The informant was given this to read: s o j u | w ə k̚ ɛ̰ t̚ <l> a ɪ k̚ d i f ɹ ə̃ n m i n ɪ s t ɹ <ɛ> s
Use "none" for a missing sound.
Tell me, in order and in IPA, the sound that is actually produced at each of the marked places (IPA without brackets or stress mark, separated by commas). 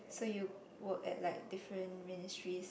l, i